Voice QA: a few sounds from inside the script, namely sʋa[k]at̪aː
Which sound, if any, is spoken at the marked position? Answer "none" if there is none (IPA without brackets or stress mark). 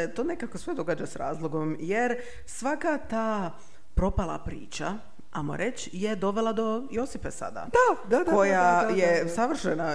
k